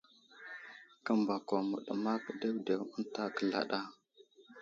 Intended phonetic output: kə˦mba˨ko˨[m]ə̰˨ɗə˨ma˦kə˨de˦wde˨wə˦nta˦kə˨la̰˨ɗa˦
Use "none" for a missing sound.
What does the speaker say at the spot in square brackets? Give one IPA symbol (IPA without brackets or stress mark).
m